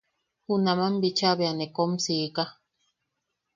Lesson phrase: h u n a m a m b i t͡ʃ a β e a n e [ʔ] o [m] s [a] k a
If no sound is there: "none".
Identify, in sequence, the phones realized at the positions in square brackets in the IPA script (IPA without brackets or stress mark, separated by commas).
k, m, i